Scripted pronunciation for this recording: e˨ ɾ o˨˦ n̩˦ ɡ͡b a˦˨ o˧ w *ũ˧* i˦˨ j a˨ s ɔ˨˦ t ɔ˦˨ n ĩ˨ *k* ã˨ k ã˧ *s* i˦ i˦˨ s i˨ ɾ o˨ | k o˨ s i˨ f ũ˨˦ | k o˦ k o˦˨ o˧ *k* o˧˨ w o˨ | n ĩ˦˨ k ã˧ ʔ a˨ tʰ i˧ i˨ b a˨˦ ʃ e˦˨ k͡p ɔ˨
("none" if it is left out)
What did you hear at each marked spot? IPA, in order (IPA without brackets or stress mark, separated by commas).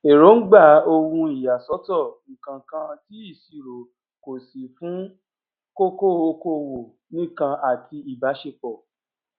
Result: ũ˧, k, t, k